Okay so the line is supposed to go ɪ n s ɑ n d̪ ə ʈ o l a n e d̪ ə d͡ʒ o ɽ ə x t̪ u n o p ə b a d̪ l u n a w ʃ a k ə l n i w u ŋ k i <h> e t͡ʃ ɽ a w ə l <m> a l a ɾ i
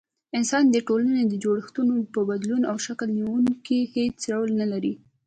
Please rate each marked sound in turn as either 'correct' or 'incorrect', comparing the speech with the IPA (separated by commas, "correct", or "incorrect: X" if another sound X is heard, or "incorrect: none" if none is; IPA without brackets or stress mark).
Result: correct, incorrect: n